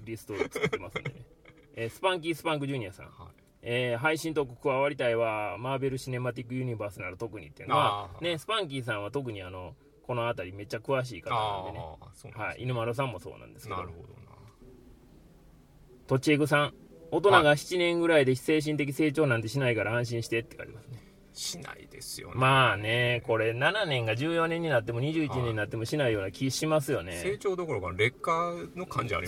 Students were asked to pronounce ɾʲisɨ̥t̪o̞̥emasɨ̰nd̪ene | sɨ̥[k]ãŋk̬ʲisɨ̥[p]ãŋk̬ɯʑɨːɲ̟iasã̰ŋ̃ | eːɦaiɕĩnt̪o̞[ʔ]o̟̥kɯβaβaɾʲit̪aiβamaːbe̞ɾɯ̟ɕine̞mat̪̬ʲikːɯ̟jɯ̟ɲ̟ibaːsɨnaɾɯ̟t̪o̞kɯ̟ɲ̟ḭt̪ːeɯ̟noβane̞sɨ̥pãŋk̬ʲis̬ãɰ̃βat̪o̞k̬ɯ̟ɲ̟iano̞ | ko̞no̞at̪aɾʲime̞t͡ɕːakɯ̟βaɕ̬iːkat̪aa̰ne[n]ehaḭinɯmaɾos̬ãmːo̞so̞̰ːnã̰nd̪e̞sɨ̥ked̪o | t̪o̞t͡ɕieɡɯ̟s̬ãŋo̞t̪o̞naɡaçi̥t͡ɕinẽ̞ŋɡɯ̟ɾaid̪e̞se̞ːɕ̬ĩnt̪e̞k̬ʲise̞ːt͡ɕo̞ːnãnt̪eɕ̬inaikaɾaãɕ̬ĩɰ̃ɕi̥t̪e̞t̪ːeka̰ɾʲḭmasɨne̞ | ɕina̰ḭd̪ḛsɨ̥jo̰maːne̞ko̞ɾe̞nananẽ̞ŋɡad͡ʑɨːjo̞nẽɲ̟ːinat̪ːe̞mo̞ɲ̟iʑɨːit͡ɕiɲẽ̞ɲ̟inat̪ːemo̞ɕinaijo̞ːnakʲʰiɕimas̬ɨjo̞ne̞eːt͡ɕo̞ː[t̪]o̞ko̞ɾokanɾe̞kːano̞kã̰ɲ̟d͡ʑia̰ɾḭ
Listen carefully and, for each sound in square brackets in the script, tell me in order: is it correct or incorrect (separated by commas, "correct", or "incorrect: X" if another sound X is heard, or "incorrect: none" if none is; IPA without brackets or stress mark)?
incorrect: p, correct, incorrect: k, correct, incorrect: d̪